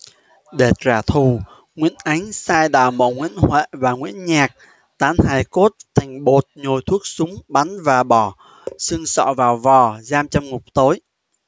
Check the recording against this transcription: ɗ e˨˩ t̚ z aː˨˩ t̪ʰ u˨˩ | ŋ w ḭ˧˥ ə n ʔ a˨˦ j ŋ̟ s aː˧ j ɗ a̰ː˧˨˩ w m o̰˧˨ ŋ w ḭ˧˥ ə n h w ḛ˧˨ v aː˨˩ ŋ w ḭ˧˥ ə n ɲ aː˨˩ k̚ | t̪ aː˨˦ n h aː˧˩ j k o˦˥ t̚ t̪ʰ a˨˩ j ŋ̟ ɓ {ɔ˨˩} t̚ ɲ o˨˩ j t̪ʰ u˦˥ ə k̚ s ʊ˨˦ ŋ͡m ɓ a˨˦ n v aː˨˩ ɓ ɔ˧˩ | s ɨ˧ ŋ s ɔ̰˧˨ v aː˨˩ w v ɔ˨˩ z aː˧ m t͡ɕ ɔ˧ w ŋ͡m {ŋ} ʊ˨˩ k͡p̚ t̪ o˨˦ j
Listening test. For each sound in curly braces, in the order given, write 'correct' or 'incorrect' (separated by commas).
incorrect, correct